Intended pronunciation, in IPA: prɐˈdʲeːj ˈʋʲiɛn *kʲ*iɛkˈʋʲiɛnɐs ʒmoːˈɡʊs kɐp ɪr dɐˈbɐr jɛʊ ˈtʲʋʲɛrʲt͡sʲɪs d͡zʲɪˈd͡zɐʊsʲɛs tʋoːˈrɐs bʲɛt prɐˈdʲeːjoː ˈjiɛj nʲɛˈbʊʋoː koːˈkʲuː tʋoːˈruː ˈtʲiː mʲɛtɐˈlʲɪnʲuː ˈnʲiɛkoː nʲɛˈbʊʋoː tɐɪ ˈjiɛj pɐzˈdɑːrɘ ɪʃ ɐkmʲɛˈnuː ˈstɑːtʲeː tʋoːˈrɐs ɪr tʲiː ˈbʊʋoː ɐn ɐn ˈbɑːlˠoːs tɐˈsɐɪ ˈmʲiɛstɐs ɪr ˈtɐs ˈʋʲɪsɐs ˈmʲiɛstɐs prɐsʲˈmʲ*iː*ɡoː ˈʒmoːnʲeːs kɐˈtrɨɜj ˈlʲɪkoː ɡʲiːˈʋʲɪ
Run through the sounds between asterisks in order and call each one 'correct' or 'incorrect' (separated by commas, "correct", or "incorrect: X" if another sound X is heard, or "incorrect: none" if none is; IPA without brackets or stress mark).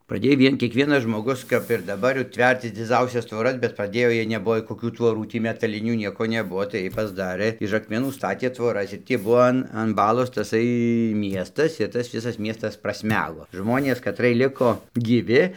correct, incorrect: æː